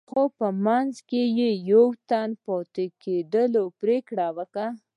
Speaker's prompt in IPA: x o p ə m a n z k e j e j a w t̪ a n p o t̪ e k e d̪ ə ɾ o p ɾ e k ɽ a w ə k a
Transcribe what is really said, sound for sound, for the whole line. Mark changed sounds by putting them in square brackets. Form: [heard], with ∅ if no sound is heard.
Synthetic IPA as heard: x o p ə m a n z k e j e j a w t̪ a n p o t̪ e k e d̪ ə [l] o p ɾ e k ɽ a w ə k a